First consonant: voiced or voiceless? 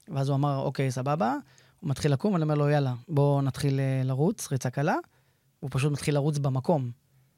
voiced